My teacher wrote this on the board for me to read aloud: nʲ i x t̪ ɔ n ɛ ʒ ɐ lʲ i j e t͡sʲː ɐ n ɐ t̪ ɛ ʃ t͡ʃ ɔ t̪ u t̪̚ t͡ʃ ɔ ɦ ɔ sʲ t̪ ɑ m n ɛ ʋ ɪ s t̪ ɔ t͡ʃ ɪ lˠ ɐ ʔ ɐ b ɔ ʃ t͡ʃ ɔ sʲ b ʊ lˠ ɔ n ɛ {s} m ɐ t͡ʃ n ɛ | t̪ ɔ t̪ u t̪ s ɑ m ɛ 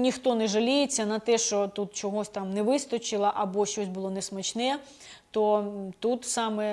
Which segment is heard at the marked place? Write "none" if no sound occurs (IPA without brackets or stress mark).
s